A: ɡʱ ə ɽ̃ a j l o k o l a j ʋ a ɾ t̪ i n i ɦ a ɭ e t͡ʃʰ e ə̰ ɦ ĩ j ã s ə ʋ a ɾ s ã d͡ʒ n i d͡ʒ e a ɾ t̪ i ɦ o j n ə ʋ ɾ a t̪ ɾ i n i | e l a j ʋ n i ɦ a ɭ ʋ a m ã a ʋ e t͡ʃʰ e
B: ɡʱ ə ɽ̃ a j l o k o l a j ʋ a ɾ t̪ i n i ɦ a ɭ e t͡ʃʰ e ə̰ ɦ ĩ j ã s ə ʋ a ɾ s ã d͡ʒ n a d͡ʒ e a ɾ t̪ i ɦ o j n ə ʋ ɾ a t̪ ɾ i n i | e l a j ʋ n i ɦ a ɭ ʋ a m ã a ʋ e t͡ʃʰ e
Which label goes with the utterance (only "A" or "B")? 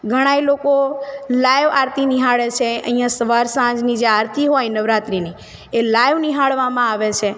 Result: A